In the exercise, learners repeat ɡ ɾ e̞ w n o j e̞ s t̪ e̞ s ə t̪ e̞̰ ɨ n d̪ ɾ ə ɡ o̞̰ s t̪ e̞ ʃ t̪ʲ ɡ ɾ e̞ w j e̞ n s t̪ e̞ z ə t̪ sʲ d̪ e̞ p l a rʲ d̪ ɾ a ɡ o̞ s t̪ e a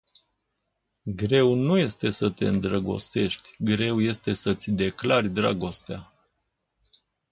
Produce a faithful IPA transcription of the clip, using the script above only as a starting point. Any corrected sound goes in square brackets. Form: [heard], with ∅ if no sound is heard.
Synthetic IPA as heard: ɡ ɾ e̞ w n [u] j e̞ s t̪ e̞ s ə t̪ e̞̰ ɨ n d̪ ɾ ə ɡ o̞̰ s t̪ e̞ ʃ t̪ʲ ɡ ɾ e̞ w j e̞ [∅] s t̪ e̞ [s] ə t̪ sʲ d̪ e̞ [k] l a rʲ d̪ ɾ a ɡ o̞ s t̪ e a